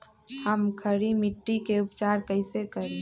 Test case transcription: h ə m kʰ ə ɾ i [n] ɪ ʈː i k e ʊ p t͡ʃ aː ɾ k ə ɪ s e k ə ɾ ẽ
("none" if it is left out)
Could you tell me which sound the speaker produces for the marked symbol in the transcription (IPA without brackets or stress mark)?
m